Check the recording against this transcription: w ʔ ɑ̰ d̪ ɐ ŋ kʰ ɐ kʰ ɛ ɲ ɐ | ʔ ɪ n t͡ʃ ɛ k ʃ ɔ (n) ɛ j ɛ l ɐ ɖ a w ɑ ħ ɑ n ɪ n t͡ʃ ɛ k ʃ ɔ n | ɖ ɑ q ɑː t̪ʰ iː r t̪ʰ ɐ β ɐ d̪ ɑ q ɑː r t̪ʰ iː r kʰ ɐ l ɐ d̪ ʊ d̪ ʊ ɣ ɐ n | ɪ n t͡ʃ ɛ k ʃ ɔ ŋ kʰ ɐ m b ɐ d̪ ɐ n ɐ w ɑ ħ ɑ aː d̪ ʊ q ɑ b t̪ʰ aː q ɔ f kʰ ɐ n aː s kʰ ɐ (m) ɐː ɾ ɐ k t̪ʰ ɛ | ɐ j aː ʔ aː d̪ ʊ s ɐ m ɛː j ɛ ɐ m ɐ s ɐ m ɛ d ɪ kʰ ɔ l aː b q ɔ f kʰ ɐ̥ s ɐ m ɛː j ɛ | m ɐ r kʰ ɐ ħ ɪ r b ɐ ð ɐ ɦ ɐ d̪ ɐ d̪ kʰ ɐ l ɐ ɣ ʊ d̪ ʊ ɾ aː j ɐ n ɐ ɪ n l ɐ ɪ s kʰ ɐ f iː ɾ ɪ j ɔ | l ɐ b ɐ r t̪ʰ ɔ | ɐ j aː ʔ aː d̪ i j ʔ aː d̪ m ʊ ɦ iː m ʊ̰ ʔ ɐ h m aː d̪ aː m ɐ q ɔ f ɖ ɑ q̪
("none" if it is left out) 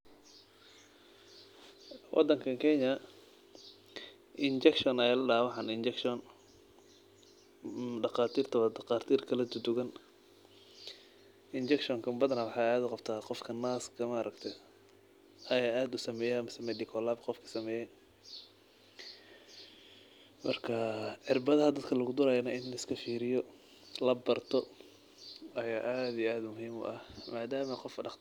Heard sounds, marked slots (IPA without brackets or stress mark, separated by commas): n, m